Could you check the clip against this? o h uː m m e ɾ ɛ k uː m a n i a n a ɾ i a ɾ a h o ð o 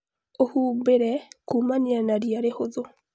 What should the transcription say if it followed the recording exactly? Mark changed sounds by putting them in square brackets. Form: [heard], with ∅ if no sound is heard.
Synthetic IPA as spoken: o h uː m [b] e ɾ ɛ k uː m a n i a n a ɾ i a ɾ [e] h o ð o